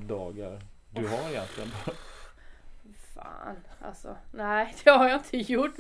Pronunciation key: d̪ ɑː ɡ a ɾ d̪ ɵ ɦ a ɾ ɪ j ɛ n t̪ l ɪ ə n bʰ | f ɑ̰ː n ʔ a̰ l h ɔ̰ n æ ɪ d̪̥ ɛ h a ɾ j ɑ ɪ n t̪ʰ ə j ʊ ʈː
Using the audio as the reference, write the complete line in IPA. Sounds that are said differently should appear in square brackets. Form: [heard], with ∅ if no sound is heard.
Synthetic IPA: d̪ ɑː ɡ a ɾ d̪ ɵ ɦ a ɾ ɪ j ɛ n t̪ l ɪ ə n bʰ | f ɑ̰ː n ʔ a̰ l [s] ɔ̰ n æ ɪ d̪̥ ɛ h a ɾ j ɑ ɪ n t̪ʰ ə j ʊ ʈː